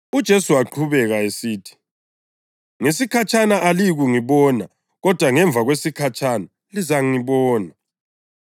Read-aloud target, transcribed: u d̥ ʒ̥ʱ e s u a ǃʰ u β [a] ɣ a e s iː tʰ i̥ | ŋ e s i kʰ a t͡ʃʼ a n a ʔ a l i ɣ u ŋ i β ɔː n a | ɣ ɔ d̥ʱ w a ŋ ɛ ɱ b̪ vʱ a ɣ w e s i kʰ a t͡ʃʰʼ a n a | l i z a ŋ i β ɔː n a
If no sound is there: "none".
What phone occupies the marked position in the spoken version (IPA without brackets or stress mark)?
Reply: ɛ